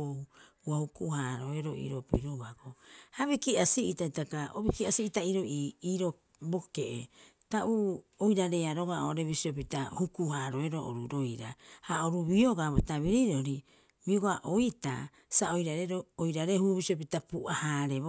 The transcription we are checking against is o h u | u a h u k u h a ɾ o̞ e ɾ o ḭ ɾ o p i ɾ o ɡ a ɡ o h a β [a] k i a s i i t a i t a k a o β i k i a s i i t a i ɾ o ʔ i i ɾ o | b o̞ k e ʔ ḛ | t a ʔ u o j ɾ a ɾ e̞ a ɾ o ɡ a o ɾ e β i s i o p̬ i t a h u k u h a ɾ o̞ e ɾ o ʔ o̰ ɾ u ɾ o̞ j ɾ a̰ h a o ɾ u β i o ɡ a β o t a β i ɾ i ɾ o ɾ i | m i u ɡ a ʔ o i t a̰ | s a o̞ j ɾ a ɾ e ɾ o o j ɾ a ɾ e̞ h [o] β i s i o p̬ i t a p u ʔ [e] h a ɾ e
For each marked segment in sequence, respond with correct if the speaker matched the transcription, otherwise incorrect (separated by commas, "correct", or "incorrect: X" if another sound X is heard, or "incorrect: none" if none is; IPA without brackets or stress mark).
incorrect: i, incorrect: u, incorrect: a